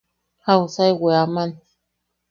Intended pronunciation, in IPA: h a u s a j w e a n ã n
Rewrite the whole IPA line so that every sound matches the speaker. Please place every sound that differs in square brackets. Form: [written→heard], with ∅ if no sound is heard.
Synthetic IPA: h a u s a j w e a [n→m] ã n